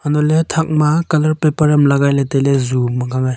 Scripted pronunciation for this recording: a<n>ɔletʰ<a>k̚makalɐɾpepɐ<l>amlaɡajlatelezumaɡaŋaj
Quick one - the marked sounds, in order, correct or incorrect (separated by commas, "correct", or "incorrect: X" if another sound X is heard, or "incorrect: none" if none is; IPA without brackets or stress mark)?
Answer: correct, correct, incorrect: ɾ